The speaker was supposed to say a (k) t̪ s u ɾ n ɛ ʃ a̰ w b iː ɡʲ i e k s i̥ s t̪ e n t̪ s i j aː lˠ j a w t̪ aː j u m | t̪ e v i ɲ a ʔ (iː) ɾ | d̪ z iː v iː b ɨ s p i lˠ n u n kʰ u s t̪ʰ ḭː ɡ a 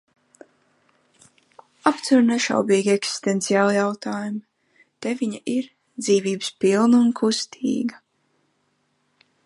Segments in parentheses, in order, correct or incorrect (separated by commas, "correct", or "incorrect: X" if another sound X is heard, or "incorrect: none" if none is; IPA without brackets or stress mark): incorrect: p, incorrect: i